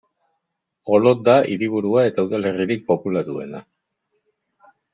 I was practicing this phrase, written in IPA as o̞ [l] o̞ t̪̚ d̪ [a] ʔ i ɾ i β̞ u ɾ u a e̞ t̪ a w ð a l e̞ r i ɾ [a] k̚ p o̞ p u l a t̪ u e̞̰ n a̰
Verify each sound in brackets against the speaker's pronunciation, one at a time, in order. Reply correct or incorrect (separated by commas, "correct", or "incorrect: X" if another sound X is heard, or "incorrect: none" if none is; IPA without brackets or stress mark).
correct, correct, incorrect: i